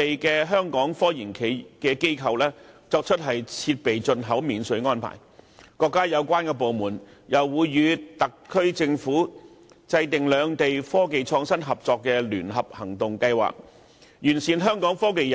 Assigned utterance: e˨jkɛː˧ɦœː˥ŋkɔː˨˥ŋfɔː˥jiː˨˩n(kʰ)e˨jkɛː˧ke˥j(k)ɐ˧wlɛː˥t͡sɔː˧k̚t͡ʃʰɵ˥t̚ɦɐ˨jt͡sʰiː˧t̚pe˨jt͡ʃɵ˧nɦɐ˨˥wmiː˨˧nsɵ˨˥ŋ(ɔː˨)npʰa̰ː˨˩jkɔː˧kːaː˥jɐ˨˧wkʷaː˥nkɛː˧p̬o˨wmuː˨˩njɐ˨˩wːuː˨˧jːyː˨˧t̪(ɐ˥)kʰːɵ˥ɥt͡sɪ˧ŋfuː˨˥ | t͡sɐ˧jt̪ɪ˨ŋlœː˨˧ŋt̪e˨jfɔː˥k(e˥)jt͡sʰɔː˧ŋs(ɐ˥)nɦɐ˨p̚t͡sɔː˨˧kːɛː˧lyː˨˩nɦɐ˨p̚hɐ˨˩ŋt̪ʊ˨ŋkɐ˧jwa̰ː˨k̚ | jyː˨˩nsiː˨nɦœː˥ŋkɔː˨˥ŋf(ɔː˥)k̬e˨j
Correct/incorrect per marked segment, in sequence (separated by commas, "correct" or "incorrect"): correct, incorrect, incorrect, incorrect, incorrect, correct, correct